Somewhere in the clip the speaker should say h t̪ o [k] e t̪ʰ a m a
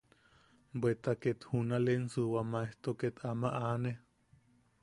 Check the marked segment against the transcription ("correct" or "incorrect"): correct